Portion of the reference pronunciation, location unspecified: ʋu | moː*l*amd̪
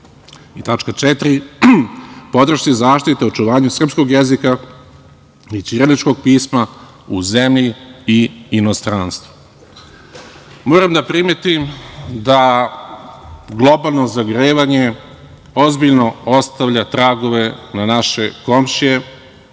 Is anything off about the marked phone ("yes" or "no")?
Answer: yes